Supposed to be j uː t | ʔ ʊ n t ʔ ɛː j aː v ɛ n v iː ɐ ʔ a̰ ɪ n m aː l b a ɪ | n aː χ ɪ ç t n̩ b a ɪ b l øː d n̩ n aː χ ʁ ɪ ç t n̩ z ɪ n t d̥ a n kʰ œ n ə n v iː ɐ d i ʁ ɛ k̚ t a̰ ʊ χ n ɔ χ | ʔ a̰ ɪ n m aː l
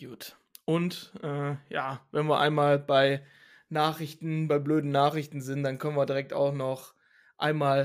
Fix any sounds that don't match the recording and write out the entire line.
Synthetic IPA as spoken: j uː t | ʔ ʊ n t ʔ ɛː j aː v ɛ n v iː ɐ ʔ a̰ ɪ n m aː l b a ɪ | n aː χ ɪ ç t n̩ b a ɪ b l øː d n̩ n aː χ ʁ ɪ ç t n̩ z ɪ n t d̥ a n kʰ œ n ə n v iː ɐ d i ʁ ɛ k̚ t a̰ ʊ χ n ɔ χ | ʔ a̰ ɪ n m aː l